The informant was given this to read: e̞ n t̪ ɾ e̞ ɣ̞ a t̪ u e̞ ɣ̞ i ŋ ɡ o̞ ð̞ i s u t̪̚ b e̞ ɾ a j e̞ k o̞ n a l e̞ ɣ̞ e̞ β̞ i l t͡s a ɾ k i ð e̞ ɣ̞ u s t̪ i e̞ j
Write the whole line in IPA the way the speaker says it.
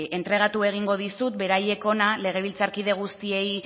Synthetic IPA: e̞ n t̪ ɾ e̞ ɣ̞ a t̪ u e̞ ɣ̞ i ŋ ɡ o̞ ð̞ i s u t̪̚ b e̞ ɾ a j e̞ k o̞ n a l e̞ ɣ̞ e̞ β̞ i l t͡s a ɾ k i ð e̞ ɣ̞ u s t̪ i e̞ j